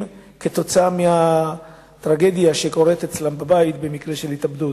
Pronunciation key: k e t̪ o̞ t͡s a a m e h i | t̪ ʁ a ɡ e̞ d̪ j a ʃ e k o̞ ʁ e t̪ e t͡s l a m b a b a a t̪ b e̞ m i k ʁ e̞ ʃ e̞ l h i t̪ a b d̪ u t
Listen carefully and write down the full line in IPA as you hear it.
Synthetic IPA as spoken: k e t̪ o̞ t͡s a a m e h a | t̪ ʁ a ɡ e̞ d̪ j a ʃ e k o̞ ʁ e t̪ e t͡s l a m b a b a i t̪ b e̞ m i k ʁ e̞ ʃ e̞ l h i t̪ a b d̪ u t